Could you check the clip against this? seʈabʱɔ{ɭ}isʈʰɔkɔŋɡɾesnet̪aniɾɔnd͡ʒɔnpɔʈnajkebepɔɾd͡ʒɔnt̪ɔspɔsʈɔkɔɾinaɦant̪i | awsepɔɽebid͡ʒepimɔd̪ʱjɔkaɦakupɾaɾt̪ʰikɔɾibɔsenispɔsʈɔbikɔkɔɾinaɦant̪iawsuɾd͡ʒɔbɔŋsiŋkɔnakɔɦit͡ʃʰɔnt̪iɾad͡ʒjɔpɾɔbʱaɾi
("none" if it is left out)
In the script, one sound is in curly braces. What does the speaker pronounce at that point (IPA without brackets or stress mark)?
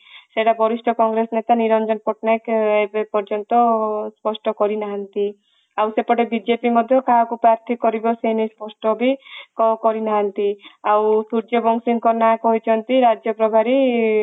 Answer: ɾ